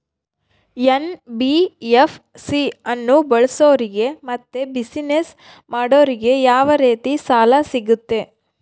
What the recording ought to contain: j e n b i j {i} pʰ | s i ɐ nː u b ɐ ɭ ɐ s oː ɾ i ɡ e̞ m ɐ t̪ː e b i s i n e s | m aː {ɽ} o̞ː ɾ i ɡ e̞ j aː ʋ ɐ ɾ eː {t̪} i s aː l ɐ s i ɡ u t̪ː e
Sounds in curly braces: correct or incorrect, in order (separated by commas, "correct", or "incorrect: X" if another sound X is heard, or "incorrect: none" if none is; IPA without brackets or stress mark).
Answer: incorrect: e, correct, correct